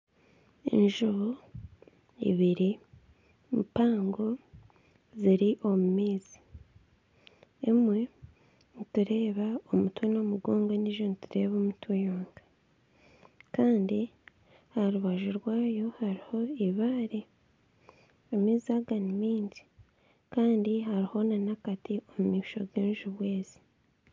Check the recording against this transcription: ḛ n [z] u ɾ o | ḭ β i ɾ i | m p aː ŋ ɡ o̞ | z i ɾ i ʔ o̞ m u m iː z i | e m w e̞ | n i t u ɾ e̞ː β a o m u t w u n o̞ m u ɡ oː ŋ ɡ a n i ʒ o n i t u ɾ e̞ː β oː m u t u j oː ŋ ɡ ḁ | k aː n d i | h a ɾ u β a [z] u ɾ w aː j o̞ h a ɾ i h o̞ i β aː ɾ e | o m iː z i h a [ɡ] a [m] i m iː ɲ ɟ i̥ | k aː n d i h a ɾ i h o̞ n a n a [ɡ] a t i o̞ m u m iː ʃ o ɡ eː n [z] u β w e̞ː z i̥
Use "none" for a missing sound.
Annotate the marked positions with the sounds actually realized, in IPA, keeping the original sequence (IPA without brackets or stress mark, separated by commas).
ʒ, ʒ, ɡ, n, k, ʒ